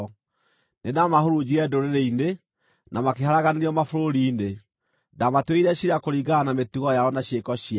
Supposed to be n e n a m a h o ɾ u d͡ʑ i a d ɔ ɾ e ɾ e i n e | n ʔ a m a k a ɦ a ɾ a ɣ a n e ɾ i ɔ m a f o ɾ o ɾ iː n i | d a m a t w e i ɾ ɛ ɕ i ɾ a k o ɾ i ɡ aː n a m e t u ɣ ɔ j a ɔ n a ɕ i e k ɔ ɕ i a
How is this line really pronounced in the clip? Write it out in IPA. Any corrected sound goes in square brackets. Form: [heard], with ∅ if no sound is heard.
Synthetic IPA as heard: n e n a m a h o ɾ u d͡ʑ i [ɛ] d [o] ɾ e ɾ e i n e | n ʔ a m a k [e] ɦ a ɾ a ɣ a n e ɾ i ɔ m a f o ɾ o ɾ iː n [e] | d a m a t w e i ɾ ɛ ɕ i ɾ a k o ɾ i ɡ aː n a m e t u ɣ ɔ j a ɔ n a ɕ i e k ɔ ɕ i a

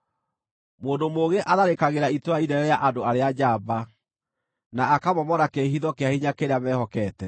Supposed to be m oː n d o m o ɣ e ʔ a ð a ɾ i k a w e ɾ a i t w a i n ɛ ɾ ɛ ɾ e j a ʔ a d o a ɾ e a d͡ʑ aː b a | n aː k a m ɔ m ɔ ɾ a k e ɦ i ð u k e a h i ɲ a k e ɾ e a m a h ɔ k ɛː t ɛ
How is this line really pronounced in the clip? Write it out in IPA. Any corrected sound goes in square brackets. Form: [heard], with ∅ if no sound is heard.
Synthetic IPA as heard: m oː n d o m o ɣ e ʔ a ð a ɾ [e] k a [ɣ] e ɾ a i t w a i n ɛ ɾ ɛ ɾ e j a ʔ a d o a ɾ e a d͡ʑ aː b a | n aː k a m ɔ m ɔ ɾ a k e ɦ i ð [ɔ] k e a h i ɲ a k e ɾ e a m [ɛ] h ɔ k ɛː t ɛ

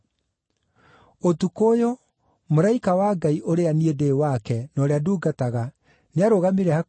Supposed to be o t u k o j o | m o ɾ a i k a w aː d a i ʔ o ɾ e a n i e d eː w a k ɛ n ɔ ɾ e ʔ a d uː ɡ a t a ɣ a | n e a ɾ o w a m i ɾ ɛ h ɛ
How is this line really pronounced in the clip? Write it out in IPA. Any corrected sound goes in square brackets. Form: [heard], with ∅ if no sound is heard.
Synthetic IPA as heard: o t u k o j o | m o ɾ a i k a w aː [ɡ] a i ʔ o ɾ e a n i e d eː w a k ɛ n ɔ ɾ e [∅] a d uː ɡ a t a ɣ a | n e a ɾ o [ɣ] a m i ɾ ɛ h [a]

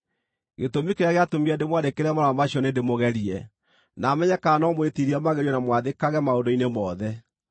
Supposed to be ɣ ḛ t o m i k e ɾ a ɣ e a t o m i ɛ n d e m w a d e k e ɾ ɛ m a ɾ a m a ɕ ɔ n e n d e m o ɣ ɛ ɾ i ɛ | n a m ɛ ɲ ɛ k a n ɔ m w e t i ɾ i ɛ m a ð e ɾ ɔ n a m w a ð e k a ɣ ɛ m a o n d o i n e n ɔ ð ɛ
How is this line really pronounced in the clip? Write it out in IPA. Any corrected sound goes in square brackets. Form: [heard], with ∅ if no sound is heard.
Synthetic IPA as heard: ɣ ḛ t o m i k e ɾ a ɣ e a t o m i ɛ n d e m w a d e k e ɾ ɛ m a ɾ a m a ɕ ɔ n e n d e m o ɣ ɛ ɾ i ɛ | n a m ɛ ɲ ɛ k a n ɔ m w e t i ɾ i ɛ m a [ɣ] e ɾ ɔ n a m w a ð e k a ɣ ɛ m a o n d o i n e [m] ɔ ð ɛ

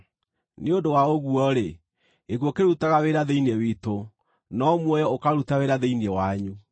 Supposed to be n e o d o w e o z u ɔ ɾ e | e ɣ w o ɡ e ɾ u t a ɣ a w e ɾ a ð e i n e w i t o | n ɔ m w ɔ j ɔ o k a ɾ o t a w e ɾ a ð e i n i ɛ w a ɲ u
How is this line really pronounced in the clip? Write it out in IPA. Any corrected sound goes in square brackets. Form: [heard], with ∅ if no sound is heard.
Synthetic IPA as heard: n e o d o w [a] o [ɣ] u ɔ ɾ e | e ɣ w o [k] e ɾ u t a ɣ a w e ɾ a ð e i n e w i t o | n ɔ m w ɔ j ɔ o k a ɾ [u] t a w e ɾ a ð e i n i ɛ w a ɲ u

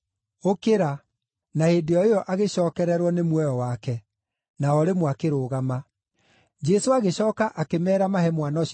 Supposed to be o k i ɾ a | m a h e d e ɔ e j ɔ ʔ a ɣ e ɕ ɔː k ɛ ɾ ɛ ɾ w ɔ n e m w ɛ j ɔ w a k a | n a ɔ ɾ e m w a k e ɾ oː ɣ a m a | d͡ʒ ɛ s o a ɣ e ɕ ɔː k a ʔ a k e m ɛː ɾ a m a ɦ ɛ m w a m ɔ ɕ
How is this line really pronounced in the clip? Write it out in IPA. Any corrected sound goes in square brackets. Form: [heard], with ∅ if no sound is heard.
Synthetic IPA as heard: o k [e] ɾ a | [n] a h e d e ɔ e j ɔ ʔ a ɣ e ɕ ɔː k ɛ ɾ ɛ ɾ w ɔ n e m w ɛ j ɔ w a k [ɛ] | n a ɔ ɾ e m w a k e ɾ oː ɣ a m a | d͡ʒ ɛ s o a ɣ e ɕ ɔː k a ʔ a k e m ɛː ɾ a m a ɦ ɛ m w a [n] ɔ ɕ

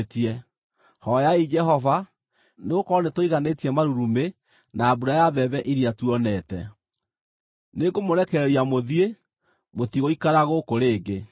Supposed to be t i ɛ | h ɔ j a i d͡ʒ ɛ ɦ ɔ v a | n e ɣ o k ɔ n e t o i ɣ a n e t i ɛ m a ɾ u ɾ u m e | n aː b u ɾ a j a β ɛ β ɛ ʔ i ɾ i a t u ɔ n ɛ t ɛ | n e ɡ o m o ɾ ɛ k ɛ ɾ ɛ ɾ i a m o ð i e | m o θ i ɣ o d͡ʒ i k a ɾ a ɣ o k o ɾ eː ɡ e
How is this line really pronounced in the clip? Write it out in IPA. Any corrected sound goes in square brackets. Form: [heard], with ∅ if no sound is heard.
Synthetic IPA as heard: t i ɛ | h ɔ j a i d͡ʒ ɛ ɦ ɔ v a | n e ɣ o k ɔ n e t o i ɣ a n e t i ɛ m a ɾ u ɾ u m e | n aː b u ɾ a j a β ɛ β ɛ ʔ i ɾ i a t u ɔ n ɛ t ɛ | n e ɡ o m o ɾ ɛ k ɛ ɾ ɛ ɾ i a m o ð i e | m o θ i ɣ o [∅] i k a ɾ a ɣ o k o ɾ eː ɡ e

